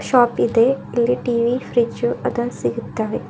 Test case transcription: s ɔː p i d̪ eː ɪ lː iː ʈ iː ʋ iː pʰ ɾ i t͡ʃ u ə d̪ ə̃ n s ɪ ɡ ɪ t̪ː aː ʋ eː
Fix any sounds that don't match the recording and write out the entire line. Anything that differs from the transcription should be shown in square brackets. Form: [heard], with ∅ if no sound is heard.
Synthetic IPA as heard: [ʃ] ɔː p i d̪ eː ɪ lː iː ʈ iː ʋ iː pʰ ɾ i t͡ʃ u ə d̪ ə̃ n s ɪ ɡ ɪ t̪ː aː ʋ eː